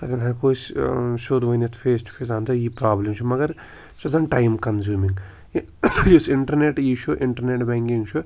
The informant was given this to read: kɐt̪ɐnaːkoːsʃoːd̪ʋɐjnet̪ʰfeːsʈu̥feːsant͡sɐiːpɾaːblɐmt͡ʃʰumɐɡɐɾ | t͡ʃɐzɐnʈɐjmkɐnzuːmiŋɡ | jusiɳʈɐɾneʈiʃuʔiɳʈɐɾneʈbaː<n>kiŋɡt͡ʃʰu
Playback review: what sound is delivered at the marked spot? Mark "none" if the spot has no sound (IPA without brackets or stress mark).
ŋ